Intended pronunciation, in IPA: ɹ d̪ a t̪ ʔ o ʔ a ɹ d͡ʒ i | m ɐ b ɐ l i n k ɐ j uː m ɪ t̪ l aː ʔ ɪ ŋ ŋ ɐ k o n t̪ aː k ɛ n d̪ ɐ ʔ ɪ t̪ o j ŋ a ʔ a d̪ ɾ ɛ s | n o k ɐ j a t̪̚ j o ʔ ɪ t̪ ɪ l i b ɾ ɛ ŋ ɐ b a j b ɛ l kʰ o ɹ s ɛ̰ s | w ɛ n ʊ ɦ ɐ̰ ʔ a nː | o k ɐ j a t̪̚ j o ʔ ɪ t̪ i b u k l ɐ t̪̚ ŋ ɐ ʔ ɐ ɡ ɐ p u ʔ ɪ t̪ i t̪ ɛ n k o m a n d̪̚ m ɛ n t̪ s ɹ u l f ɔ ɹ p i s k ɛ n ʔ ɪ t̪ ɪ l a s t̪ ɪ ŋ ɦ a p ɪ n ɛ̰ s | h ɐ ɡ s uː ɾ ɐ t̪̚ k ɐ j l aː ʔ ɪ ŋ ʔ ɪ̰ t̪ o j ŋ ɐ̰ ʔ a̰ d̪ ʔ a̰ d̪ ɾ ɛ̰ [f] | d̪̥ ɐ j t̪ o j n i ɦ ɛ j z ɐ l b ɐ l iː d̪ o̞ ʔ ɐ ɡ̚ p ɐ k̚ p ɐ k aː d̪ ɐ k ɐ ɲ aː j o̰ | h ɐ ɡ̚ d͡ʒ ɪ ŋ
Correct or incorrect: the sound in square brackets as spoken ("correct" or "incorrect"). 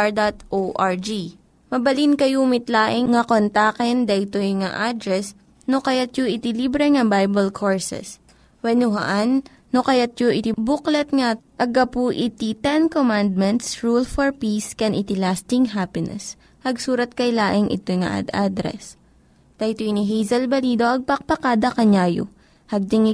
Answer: incorrect